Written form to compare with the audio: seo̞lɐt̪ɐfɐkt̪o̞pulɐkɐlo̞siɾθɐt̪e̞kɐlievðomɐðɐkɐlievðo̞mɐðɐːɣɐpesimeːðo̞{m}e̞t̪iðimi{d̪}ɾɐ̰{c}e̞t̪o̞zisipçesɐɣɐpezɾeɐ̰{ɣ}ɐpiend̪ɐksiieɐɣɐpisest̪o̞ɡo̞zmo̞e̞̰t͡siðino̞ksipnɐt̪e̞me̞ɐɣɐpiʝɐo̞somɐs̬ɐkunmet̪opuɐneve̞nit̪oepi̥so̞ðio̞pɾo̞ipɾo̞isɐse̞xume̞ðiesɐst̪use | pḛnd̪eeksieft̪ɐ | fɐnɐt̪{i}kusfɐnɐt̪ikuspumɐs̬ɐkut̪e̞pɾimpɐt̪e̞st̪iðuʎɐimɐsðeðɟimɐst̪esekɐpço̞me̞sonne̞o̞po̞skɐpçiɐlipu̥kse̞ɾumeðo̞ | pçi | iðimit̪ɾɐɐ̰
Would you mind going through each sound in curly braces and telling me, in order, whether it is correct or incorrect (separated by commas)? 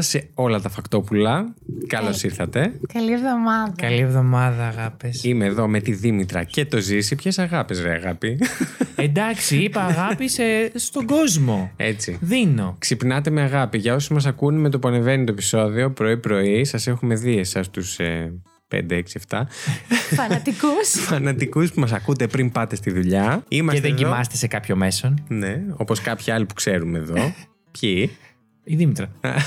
correct, incorrect, correct, correct, correct